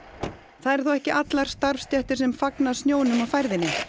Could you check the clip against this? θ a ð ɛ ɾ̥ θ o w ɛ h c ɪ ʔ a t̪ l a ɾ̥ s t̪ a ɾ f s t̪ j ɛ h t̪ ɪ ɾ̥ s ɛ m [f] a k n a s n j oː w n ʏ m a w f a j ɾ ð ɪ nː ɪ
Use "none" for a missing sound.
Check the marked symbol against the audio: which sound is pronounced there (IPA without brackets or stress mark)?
f